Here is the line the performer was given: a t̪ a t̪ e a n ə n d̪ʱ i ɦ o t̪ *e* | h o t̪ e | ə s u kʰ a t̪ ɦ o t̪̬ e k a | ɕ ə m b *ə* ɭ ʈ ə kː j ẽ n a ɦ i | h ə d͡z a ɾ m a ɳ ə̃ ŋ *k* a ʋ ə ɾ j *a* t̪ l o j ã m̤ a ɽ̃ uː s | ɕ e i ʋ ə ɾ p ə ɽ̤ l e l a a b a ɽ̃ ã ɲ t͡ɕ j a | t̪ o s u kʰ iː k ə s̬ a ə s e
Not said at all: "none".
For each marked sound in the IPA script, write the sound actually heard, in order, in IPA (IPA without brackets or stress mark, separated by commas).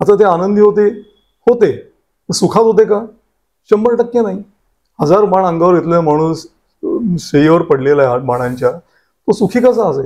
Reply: e, ə, ɡ, e